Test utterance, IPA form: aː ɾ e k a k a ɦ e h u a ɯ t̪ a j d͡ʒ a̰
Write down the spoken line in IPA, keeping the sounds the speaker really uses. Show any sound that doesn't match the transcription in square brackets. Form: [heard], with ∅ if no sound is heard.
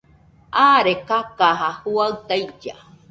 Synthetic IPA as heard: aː ɾ e k a k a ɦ [a] h u a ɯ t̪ a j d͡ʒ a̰